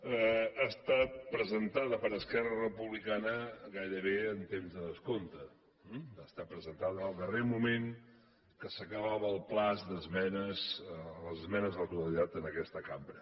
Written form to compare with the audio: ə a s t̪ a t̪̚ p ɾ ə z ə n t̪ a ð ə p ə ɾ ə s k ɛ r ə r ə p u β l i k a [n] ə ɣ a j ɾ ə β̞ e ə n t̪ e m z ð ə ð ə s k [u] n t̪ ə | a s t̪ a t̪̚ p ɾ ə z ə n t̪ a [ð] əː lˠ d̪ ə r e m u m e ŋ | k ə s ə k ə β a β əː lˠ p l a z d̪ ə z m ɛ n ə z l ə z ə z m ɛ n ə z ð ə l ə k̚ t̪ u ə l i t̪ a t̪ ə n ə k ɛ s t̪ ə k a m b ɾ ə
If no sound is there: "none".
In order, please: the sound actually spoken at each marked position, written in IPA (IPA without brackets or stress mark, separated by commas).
n, o, ð